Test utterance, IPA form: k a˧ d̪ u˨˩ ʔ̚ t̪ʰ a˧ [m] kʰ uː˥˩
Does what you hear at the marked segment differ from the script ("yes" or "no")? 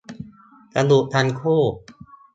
yes